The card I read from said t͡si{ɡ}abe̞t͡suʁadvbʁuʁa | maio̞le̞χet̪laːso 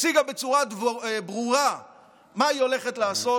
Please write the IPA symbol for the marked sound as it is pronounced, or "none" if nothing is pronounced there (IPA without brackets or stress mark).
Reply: ɡ